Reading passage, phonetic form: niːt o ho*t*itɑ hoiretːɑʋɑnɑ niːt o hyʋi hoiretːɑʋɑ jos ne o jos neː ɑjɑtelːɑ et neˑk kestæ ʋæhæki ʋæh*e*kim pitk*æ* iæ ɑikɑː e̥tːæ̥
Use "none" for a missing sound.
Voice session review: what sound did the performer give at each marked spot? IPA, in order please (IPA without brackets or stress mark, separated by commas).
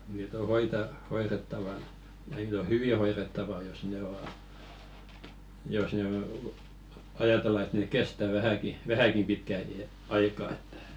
none, æ, æ